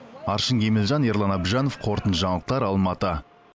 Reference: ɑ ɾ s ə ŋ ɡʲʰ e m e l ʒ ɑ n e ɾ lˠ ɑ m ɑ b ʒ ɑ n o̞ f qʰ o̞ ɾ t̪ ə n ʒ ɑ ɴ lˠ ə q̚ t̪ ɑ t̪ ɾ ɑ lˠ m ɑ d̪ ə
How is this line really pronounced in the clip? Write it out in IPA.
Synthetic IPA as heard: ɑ ɾ ʃ ə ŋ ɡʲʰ e m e l ʒ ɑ n e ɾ lˠ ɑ n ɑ b ʒ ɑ n o̞ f qʰ o̞ ɾ t̪ ə n ʒ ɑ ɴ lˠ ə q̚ t̪ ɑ ɾ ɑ lˠ m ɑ t̪ ə